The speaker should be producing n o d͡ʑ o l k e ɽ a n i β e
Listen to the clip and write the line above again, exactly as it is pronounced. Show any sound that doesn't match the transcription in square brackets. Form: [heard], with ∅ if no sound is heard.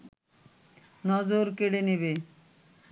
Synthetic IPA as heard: n [ɔ] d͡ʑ o [ɾ] k e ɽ [e] n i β e

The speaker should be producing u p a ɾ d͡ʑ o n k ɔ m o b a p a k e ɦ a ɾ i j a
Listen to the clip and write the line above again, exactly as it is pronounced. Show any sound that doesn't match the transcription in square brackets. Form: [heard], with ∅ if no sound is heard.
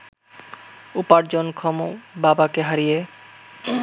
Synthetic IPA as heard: u p a ɾ d͡ʑ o n [kʰ] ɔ m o b a [b] a k e ɦ a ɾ i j [e]

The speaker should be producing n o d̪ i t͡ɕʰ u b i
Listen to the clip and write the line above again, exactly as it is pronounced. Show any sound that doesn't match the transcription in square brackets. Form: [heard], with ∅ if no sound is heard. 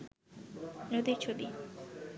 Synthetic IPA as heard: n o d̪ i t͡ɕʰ [o] b i

